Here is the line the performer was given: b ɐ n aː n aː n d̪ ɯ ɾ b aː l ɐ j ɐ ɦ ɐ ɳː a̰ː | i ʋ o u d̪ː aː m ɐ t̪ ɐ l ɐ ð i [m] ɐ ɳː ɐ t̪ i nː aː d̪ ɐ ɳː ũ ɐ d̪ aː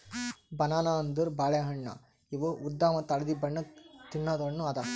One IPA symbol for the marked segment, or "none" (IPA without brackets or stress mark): b